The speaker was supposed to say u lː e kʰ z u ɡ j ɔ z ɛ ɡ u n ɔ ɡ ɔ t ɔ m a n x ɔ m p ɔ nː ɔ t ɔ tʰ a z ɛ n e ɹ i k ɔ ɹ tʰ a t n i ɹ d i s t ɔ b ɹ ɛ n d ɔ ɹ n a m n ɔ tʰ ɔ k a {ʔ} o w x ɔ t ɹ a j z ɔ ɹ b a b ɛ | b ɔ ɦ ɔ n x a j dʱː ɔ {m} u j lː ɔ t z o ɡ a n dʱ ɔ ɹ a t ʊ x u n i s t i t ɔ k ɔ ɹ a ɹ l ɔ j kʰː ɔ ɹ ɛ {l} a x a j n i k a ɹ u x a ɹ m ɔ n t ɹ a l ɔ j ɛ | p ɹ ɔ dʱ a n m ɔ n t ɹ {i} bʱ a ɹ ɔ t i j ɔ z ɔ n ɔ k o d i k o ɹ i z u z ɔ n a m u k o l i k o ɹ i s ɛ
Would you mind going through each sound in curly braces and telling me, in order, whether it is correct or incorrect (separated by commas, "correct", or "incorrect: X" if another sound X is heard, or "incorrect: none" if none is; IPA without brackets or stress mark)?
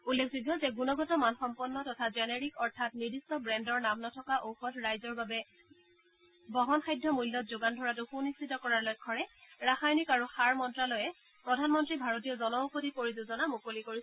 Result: correct, correct, incorrect: ɹ, correct